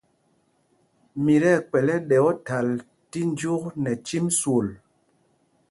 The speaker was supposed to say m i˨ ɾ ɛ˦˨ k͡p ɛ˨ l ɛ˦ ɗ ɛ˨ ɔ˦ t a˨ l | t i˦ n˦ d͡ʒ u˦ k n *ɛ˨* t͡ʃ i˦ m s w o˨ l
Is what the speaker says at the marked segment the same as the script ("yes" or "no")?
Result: yes